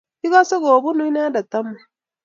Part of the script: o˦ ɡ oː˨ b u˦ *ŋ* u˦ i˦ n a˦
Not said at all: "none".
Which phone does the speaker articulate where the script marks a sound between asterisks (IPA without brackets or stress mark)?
n